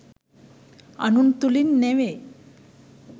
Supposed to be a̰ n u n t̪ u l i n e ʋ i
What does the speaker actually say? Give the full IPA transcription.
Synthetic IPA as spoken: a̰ n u n t̪ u l i nː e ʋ e